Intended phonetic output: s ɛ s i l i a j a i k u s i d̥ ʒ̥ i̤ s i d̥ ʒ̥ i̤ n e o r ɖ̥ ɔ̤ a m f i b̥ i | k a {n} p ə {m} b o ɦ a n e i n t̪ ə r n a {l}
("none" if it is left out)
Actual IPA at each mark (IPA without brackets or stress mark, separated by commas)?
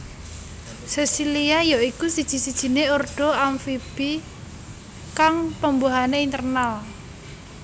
ŋ, m, l